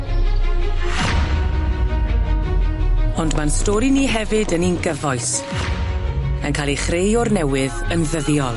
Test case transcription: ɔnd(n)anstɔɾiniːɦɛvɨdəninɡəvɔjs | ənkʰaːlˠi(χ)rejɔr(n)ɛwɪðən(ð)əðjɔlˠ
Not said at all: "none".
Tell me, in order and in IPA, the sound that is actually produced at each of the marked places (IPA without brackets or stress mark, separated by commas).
m, χ, n, ð